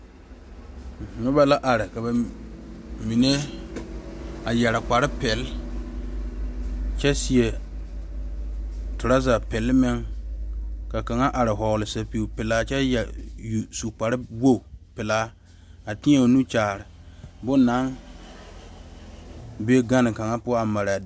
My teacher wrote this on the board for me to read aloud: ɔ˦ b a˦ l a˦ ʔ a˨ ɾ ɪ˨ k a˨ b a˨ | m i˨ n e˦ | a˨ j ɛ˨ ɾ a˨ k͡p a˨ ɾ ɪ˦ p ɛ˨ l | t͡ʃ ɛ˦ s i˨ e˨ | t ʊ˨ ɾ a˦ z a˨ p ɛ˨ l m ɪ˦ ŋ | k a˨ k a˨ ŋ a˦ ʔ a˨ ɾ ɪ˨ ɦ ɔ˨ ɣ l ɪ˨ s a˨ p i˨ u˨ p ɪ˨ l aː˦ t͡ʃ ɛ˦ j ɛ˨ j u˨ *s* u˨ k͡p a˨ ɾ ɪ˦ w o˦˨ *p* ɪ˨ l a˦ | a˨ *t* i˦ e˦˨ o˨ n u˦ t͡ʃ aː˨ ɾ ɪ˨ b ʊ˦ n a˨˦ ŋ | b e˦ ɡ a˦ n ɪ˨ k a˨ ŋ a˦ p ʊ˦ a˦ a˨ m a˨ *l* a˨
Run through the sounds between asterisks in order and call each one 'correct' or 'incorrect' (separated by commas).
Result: correct, correct, correct, incorrect